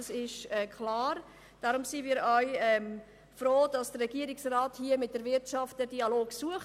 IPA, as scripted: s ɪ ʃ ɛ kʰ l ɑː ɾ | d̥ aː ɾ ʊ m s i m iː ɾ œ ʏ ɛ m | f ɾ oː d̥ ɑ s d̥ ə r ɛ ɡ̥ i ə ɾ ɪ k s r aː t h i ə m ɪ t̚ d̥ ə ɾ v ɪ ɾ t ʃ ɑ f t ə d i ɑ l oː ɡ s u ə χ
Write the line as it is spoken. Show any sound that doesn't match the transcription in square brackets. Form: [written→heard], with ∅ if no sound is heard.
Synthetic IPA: s ɪ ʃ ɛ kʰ l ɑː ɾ | d̥ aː ɾ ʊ m s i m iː ɾ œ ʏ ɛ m | f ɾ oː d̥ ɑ s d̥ ə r ɛ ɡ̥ i ə ɾ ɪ k s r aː t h i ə m ɪ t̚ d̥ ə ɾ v ɪ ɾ t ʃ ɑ f t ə d i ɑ l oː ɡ s u ə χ